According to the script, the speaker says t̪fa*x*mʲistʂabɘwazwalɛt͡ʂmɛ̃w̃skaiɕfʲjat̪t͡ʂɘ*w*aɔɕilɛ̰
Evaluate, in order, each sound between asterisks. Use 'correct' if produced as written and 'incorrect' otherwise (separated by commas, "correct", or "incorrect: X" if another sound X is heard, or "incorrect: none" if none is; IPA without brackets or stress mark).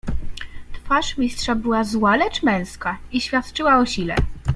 incorrect: ʂ, correct